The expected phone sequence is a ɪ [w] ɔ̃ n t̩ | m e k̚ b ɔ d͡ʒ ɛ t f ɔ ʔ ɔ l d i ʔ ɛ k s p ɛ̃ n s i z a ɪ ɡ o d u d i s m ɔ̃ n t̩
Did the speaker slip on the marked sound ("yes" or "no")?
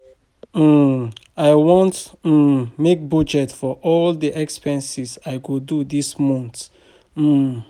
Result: no